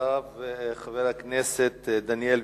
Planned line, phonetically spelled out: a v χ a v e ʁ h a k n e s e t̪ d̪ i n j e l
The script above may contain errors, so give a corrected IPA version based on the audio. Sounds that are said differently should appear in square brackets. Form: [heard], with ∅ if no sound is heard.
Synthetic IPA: a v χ a v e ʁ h a k n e s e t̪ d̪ [a] n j e l

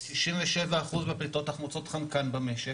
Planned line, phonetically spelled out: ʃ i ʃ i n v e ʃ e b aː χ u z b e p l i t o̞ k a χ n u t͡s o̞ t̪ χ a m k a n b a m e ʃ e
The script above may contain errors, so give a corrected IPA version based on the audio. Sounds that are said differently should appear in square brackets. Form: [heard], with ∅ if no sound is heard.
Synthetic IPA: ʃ i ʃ i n v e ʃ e [v] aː χ u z b e p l i t o̞ [t] a χ [m] u t͡s o̞ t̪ χ a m k a n b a m e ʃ e

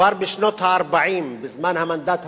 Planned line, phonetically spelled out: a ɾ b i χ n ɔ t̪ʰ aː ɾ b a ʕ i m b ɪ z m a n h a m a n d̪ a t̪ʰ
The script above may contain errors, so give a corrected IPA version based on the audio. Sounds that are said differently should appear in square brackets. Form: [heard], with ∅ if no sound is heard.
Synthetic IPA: a ɾ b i [ʃ] n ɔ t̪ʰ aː ɾ b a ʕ i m b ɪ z m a n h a m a n d̪ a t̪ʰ

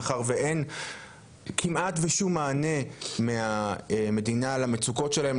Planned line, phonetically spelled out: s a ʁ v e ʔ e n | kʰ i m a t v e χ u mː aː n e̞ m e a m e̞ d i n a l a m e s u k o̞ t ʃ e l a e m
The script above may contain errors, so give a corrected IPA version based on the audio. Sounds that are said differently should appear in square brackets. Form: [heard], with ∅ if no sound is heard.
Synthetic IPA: [χ] a ʁ v e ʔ e n | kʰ i m a t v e [ʃ] u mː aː n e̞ m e a m e̞ d i n a l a m e [t͡s] u k o̞ t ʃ e l a e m

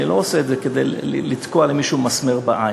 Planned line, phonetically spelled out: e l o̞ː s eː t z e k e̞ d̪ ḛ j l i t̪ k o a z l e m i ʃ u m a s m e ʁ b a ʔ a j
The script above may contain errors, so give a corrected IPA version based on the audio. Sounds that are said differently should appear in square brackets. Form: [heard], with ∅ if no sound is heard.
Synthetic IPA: [i] l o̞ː s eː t z e k e̞ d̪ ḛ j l i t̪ k o a [∅] l e m i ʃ u m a s m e ʁ b a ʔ a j

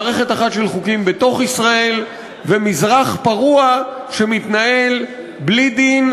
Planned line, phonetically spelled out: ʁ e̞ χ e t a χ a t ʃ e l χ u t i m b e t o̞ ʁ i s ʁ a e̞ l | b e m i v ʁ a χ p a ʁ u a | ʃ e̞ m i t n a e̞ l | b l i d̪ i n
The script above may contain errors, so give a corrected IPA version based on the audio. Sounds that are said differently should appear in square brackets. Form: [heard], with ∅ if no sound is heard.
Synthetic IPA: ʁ e̞ χ e t a χ a t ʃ e l χ u [k] i m b e t o̞ [χ] i s ʁ a e̞ l | [v] e m i [z] ʁ a χ p a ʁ u a | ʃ e̞ m i t n a e̞ l | b l i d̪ i n

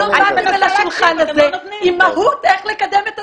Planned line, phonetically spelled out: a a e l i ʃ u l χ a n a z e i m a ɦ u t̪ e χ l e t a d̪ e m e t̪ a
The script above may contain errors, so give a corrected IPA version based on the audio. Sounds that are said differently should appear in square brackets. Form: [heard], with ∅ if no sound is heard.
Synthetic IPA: a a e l [a] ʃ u l χ a n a z e i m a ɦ u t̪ e χ l e [k] a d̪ e m e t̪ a

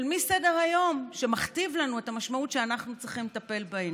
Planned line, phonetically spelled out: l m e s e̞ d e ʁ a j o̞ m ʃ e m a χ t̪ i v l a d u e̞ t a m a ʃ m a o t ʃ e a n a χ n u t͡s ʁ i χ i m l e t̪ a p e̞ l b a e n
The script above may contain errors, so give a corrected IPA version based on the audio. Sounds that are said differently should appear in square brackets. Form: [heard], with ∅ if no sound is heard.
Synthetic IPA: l m [i] s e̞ d e ʁ a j o̞ m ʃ e m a χ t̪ i v l a [n] u e̞ t a m a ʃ m a [u] t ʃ e a n a χ n u t͡s ʁ i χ i m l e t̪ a p e̞ l b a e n

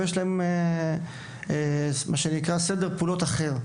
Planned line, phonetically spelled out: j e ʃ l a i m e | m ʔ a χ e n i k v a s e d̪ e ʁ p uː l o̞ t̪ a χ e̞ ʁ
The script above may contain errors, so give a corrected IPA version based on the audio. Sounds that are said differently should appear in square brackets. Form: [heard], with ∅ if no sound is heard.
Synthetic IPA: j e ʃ l a [e] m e | m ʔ a [ʃ] e n i k [ʁ] a s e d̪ e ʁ p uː l o̞ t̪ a χ e̞ ʁ

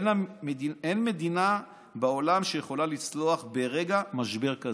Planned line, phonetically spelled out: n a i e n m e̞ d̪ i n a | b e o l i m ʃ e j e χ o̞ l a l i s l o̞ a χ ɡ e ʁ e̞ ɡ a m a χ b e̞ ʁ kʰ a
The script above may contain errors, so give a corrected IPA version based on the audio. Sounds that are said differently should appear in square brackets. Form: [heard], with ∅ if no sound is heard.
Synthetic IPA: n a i e n m e̞ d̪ i n a | b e o l [a] m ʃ e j e χ o̞ l a l i [t͡s] l o̞ a χ [b] e ʁ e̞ ɡ a m a [ʃ] b e̞ ʁ [k] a

